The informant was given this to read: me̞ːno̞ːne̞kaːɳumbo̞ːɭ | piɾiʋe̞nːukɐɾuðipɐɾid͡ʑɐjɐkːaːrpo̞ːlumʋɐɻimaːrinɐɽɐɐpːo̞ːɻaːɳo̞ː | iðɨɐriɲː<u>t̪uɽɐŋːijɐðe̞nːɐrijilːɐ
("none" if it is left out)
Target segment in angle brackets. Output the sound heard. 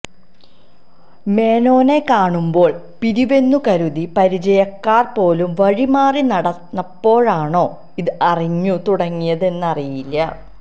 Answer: u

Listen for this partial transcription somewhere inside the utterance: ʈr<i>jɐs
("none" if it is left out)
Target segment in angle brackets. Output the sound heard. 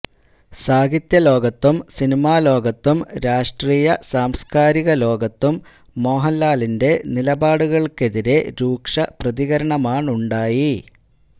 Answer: iː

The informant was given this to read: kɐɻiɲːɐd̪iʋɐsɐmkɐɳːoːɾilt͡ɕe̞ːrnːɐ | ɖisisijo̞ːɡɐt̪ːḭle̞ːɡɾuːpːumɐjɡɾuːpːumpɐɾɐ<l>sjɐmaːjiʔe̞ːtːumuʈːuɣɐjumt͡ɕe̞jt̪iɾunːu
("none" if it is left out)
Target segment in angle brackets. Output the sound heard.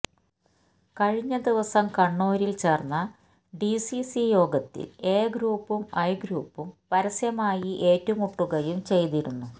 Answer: none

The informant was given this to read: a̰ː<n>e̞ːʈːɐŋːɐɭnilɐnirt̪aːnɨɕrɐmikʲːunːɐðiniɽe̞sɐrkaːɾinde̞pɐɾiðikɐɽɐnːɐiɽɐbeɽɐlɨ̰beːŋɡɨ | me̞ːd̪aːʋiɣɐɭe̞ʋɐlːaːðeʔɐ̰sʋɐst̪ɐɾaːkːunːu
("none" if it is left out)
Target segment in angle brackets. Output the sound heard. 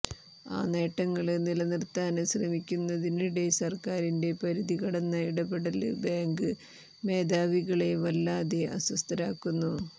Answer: n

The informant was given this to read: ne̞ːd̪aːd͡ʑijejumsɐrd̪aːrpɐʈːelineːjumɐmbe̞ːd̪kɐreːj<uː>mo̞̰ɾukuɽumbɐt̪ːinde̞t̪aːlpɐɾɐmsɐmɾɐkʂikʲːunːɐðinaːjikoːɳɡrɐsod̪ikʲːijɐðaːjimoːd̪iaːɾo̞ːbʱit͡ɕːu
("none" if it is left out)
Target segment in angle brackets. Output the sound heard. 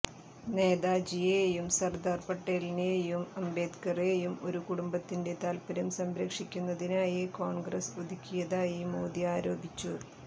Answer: u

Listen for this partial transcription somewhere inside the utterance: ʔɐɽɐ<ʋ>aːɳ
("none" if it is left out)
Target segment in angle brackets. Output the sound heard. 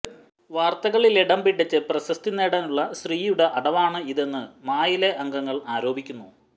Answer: ʋ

